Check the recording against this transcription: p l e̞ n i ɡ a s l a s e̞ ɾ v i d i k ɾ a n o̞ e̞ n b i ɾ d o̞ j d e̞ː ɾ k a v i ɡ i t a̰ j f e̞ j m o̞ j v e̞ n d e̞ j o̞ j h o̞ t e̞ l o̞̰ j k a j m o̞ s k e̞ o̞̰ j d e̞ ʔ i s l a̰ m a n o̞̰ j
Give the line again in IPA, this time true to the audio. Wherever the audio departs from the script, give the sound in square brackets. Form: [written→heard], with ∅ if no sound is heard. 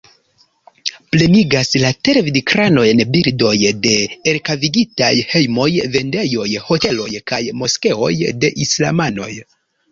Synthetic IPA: p l e̞ n i ɡ a s l a [s→t] e̞ ɾ v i d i k ɾ a n o̞ e̞ n b i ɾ d o̞ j d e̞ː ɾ k a v i ɡ i t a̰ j [f→h] e̞ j m o̞ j v e̞ n d e̞ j o̞ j h o̞ t e̞ l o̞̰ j k a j m o̞ s k e̞ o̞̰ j d e̞ ʔ i s l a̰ m a n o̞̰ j